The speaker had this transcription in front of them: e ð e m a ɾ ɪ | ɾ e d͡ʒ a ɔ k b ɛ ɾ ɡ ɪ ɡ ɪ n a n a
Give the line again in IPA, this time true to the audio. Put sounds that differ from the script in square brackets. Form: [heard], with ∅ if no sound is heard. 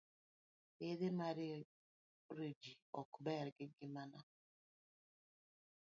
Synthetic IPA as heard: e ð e m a ɾ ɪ | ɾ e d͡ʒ [i] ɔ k b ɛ ɾ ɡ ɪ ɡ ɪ [m] a n a